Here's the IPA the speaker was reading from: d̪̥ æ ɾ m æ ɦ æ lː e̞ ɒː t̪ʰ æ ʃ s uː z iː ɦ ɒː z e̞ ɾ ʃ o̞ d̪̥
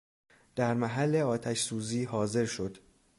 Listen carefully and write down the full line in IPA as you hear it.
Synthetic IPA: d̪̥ æ ɾ m æ ɦ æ lː e̞ ɒː t̪ʰ æ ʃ s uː z iː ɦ ɒː z e̞ ɾ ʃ o̞ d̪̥